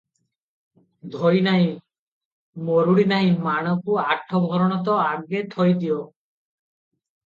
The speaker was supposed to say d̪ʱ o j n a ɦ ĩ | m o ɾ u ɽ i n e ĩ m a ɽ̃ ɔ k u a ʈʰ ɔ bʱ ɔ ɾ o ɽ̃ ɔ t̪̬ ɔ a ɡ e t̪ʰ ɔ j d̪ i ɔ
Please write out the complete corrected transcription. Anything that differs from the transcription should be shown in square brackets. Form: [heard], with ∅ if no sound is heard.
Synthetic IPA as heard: d̪ʱ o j n a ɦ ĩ | m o ɾ u ɽ i n [a] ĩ m a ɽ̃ ɔ k u a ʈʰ ɔ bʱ ɔ ɾ [ɔ] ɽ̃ ɔ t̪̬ ɔ a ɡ e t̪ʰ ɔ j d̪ i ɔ

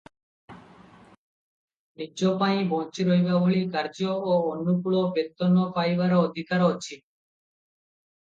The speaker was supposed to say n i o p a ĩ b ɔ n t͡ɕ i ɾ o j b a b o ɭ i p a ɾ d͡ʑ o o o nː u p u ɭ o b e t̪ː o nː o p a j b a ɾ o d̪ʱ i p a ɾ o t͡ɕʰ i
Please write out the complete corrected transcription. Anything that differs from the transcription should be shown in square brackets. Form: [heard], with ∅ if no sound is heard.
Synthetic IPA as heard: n i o p a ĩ b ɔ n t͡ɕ i ɾ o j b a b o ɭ i [k] a ɾ d͡ʑ o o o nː u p u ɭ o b e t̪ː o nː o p a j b a ɾ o d̪ʱ i [k] a ɾ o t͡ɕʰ i

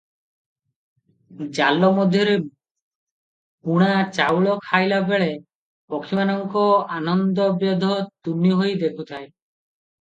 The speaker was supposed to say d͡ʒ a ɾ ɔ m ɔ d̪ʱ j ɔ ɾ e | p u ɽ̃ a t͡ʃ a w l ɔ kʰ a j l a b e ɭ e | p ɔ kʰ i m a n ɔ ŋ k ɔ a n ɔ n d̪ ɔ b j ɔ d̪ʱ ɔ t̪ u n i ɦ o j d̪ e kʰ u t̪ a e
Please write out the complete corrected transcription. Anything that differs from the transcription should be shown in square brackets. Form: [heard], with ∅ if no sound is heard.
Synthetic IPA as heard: d͡ʒ a [l] ɔ m ɔ d̪ʱ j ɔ ɾ e | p u ɽ̃ a t͡ʃ a w [ɭ] ɔ kʰ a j l a b e ɭ e | p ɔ kʰ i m a n ɔ ŋ k ɔ a n ɔ n d̪ ɔ b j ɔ d̪ʱ ɔ t̪ u n i ɦ o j d̪ e kʰ u [t̪ʰ] a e

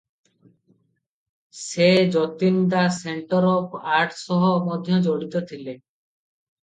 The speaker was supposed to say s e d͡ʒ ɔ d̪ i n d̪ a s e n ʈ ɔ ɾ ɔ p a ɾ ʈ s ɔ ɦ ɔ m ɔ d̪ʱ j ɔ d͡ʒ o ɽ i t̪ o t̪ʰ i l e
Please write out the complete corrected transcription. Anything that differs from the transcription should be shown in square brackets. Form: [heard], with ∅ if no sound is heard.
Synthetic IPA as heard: s e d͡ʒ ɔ [t̪] i n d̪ a s e [ɳ] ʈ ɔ ɾ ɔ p a ɾ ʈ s ɔ ɦ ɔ m ɔ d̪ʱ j ɔ d͡ʒ o ɽ i t̪ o t̪ʰ i l e

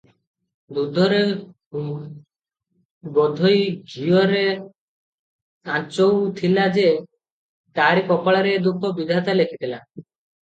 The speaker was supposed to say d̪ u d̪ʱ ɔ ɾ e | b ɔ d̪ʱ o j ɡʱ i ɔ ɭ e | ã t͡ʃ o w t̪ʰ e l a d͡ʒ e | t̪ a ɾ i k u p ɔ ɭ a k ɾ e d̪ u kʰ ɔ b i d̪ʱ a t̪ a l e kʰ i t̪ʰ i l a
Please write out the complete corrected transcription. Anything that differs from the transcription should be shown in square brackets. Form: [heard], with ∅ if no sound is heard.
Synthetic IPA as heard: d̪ u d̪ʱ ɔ ɾ e | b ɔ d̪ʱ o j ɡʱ i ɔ [ɾ] e | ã t͡ʃ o w t̪ʰ [i] l a d͡ʒ e | t̪ a ɾ i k [ɔ] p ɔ ɭ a [∅] ɾ e d̪ u kʰ ɔ b i d̪ʱ a t̪ a l e kʰ i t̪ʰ i l a

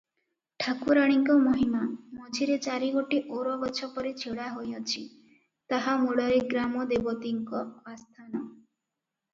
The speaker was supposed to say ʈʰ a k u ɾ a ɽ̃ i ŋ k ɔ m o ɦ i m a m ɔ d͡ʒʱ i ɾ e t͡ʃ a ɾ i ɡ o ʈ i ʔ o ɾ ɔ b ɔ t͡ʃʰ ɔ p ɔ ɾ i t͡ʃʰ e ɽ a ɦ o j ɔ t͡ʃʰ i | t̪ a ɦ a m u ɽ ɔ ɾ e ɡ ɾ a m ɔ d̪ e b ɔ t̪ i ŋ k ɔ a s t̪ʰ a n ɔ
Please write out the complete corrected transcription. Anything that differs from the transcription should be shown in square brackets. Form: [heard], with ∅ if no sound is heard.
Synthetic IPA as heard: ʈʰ a k u ɾ a ɽ̃ i ŋ k ɔ m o ɦ i m a m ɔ d͡ʒʱ i ɾ e t͡ʃ a ɾ i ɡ o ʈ i ʔ o ɾ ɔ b ɔ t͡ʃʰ ɔ p ɔ ɾ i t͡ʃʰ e ɽ a ɦ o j ɔ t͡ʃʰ i | t̪ a ɦ a m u ɽ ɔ ɾ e ɡ ɾ a m ɔ d̪ e b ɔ t̪ i ŋ k ɔ a s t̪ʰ a n ɔ

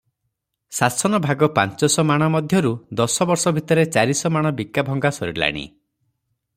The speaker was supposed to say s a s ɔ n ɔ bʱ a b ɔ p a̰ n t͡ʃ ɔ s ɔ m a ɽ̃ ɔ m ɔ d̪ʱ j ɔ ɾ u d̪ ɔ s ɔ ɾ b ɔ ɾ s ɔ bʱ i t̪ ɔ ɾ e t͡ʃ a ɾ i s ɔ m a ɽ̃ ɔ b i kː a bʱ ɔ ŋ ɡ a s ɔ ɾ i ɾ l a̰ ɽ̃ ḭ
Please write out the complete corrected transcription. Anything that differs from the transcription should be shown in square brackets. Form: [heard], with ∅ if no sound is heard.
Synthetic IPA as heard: s a s ɔ n ɔ bʱ a [ɡ] ɔ p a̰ n t͡ʃ ɔ s ɔ m a ɽ̃ ɔ m ɔ d̪ʱ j ɔ ɾ u d̪ ɔ s ɔ [∅] b ɔ ɾ s ɔ bʱ i t̪ ɔ ɾ e t͡ʃ a ɾ i s ɔ m a ɽ̃ ɔ b i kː a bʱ ɔ ŋ ɡ a s ɔ ɾ i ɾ l a̰ ɽ̃ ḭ

